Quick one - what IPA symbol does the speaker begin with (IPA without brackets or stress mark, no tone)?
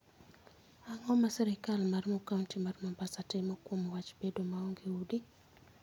a